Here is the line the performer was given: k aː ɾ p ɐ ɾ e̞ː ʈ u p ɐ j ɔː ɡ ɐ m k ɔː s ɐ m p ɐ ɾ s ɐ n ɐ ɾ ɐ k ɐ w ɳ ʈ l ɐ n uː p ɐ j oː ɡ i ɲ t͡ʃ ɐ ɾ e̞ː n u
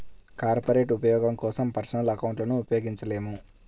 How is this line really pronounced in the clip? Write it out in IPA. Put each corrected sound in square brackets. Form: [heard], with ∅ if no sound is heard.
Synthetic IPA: k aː ɾ p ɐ ɾ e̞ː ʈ u p ɐ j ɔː ɡ ɐ m k ɔː s ɐ m p ɐ ɾ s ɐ n ɐ [l] ɐ k ɐ w ɳ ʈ l ɐ n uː p ɐ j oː ɡ i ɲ t͡ʃ ɐ [l] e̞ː [m] u